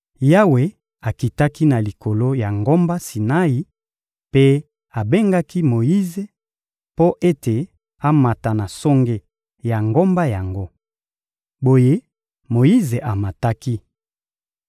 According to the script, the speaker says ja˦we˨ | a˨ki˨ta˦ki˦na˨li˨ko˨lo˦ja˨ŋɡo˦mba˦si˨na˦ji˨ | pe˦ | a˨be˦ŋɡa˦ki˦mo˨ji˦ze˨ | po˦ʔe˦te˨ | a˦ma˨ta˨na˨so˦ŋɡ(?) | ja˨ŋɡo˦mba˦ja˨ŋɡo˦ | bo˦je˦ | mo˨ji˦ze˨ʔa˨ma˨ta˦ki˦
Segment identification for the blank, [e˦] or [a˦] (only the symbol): e˦